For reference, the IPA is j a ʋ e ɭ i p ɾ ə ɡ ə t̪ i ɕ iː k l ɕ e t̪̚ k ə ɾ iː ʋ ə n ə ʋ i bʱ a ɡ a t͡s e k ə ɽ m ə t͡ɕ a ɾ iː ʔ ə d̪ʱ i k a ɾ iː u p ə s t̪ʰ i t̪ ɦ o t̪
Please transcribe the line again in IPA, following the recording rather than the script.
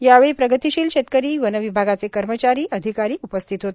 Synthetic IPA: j a ʋ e ɭ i p ɾ ə ɡ ə t̪ i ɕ iː l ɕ e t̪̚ k ə ɾ iː ʋ ə n ə ʋ i bʱ a ɡ a t͡s e k ə ɾ m ə t͡ɕ a ɾ iː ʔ ə d̪ʱ i k a ɾ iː u p ə s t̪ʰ i t̪ ɦ o t̪